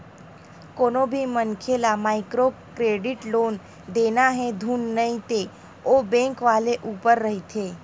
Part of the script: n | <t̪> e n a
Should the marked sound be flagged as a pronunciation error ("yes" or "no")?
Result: yes